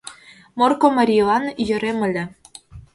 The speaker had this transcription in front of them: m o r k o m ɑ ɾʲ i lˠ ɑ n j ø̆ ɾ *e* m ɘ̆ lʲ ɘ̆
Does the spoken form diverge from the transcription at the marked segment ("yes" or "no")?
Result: no